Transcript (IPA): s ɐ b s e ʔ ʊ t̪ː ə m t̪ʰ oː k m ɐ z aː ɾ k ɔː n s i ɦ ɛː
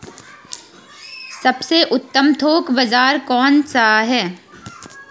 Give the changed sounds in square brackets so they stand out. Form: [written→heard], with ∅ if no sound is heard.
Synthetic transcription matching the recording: s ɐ b s e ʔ ʊ t̪ː ə m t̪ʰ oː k [m→b] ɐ z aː ɾ k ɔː n s [i→a] ɦ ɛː